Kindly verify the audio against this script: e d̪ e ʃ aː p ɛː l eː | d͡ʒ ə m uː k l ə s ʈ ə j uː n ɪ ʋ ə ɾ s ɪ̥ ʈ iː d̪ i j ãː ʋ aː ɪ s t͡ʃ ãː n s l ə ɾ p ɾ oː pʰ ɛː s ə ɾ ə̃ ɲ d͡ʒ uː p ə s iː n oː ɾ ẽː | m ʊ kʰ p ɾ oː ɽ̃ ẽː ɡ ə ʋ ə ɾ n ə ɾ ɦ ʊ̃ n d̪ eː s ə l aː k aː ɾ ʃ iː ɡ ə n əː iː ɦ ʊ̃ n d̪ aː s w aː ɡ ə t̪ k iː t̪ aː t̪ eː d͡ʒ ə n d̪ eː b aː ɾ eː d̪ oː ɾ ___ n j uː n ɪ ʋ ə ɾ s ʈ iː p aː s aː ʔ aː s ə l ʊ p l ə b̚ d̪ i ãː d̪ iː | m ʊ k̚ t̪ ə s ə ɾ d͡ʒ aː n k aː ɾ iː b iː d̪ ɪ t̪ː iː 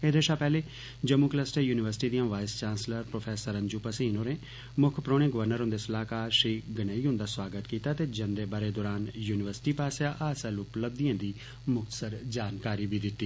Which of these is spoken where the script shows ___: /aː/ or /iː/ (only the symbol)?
aː